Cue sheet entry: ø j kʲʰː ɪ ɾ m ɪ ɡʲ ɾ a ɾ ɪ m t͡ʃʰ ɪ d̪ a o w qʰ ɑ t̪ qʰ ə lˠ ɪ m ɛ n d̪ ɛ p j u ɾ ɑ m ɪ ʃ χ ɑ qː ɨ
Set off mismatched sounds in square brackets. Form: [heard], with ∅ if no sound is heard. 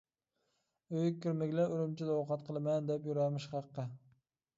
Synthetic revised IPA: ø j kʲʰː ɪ ɾ m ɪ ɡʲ [l] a ɾ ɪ m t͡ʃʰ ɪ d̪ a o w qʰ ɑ t̪ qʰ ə lˠ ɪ m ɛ n d̪ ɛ p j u ɾ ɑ m ɪ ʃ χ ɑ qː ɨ